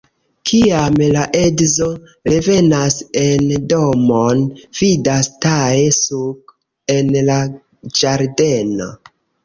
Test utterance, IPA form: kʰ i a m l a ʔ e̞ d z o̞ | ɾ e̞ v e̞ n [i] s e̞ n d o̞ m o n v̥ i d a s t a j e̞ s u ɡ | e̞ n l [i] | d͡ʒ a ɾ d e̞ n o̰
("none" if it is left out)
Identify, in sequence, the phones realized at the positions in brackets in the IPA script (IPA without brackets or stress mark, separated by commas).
a, a